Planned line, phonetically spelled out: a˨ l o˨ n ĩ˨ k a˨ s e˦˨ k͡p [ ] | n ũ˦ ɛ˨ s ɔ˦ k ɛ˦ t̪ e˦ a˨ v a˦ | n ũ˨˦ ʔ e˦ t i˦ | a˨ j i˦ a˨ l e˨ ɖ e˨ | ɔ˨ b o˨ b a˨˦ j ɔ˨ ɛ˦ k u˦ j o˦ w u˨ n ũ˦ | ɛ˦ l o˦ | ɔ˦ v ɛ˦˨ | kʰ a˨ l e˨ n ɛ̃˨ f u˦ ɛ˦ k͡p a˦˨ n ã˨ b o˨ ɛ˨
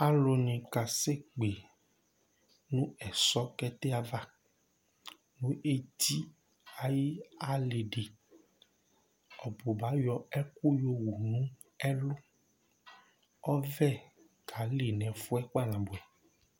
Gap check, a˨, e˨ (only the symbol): e˨